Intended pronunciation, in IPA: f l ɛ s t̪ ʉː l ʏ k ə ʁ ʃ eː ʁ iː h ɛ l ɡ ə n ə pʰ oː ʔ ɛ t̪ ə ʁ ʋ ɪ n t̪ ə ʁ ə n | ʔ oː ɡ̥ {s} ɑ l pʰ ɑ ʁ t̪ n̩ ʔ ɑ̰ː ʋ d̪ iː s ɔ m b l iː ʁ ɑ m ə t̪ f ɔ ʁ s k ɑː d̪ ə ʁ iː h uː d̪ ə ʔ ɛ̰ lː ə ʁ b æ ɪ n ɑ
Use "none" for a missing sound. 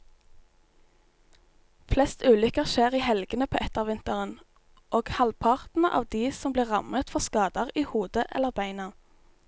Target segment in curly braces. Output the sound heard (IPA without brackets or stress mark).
h